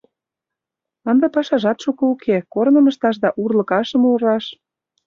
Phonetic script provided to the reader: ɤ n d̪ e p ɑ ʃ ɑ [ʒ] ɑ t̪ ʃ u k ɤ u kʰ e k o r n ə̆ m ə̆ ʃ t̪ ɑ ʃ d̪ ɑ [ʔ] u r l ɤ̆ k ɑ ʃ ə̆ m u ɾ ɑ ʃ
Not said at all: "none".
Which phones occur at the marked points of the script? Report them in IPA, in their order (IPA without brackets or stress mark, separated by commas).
ʒ, ʔ